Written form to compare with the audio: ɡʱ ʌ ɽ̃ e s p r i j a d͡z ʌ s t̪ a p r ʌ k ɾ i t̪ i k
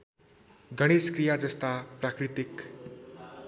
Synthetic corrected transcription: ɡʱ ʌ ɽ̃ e s k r i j a d͡z ʌ s t̪ a p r a k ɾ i t̪ i k